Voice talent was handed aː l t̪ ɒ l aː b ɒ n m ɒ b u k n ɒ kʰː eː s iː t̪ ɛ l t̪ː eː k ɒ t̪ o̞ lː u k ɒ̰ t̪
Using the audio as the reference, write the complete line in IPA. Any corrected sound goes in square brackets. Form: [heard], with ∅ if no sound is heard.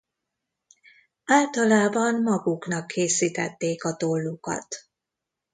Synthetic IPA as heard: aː l t̪ ɒ l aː b ɒ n m ɒ [ɡ] u k n ɒ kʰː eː s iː t̪ ɛ [∅] t̪ː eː k ɒ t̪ o̞ lː u k ɒ̰ t̪